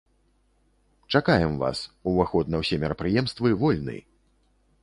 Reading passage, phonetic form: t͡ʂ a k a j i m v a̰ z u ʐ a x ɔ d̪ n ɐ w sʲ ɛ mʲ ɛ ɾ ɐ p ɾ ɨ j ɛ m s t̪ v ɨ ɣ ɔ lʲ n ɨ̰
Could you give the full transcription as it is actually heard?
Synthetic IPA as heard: t͡ʂ a k a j ɛ m v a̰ s u v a x ɔ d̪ n ɐ w sʲ ɛ mʲ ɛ ɾ ɐ p ɾ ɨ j ɛ m s t̪ v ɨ v ɔ lʲ n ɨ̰